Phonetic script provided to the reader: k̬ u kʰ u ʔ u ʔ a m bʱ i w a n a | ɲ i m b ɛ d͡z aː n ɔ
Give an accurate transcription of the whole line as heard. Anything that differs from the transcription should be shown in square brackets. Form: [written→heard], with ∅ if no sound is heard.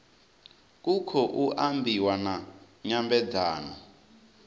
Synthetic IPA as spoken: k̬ u kʰ [u→ɔ] ʔ u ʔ a m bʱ i w a n a | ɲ [i→a] m b ɛ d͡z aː n ɔ